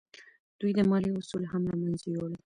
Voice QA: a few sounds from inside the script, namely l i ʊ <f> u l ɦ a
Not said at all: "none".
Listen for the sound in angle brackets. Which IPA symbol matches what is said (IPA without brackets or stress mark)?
s